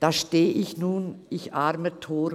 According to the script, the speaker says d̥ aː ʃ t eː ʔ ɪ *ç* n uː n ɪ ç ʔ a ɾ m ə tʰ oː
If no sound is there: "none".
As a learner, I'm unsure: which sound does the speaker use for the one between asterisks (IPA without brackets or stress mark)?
ç